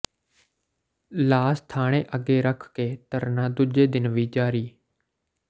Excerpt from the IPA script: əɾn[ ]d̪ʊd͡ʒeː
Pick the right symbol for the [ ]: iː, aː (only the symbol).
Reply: aː